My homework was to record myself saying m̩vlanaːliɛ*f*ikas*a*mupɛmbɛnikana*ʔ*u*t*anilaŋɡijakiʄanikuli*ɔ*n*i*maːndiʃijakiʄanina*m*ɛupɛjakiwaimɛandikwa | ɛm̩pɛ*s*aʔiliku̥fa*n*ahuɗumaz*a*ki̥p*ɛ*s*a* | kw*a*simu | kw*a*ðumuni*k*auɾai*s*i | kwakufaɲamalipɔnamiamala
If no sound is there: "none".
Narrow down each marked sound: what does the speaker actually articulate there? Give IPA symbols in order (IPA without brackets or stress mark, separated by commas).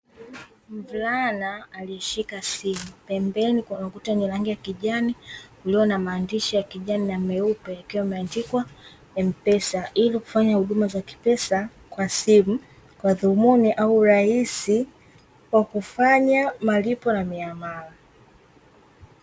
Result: ʃ, i, k, t, ɔ, a, m, s, ɲ, a, ɛ, a, a, a, ʔ, s